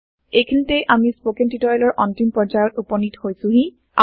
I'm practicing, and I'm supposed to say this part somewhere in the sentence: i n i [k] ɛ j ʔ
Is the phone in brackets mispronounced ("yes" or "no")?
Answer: yes